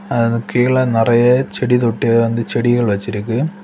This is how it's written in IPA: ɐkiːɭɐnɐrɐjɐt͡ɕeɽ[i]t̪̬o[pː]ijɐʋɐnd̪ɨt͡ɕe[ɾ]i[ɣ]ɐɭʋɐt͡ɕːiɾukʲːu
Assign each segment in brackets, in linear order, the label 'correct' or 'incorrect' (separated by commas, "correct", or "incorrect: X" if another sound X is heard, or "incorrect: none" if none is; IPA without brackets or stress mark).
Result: correct, incorrect: ʈː, incorrect: ɽ, correct